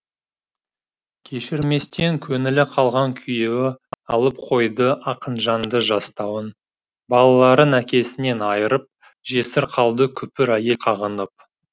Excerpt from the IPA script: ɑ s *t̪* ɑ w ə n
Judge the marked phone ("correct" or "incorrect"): correct